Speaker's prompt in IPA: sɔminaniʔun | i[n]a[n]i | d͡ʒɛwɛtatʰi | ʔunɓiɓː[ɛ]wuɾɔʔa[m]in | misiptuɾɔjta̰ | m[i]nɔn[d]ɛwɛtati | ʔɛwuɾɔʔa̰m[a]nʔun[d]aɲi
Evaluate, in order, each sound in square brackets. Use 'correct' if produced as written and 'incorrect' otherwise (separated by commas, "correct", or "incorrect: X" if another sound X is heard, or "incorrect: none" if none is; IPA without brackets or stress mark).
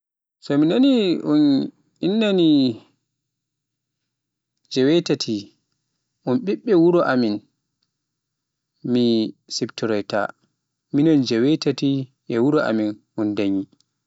incorrect: nː, correct, correct, correct, correct, incorrect: d͡ʒ, incorrect: i, correct